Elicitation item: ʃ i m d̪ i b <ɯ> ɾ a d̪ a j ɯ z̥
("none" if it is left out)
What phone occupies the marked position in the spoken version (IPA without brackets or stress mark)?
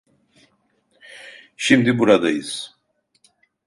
u